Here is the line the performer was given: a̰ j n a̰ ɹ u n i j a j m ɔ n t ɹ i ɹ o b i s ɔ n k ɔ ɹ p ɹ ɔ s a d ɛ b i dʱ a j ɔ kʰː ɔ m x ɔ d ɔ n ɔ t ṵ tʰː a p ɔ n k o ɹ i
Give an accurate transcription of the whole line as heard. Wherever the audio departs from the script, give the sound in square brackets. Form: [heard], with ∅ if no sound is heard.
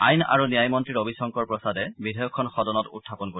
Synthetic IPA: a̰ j n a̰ ɹ u n i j a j m ɔ n t ɹ i ɹ o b i s ɔ [ŋ] k ɔ ɹ p ɹ ɔ s a d ɛ b i dʱ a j ɔ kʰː ɔ [n] x ɔ d ɔ n ɔ t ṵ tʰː a p ɔ n k o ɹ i